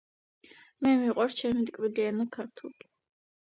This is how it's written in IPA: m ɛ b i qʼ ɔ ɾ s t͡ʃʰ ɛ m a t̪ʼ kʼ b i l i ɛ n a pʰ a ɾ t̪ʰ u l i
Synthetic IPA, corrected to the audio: m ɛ m i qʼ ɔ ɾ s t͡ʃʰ ɛ m i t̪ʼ kʼ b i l i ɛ n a kʰ a ɾ t̪ʰ u l i